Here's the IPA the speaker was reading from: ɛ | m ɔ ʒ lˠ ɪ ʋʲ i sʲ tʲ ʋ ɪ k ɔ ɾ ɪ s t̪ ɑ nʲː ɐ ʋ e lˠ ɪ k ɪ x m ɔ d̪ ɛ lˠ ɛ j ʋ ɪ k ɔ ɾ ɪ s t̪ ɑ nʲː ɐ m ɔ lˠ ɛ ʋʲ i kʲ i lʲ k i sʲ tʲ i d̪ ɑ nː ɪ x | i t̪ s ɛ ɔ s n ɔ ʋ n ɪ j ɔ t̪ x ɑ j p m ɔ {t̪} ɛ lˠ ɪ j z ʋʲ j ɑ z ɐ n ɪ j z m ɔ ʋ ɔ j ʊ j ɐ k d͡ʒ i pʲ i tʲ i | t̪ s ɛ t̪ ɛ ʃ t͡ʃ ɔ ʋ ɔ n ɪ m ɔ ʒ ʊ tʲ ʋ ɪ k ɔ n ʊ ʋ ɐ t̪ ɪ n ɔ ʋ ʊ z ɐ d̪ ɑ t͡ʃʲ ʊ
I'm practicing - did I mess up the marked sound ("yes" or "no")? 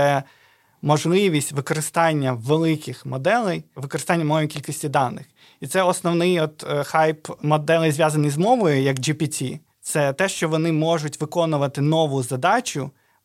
yes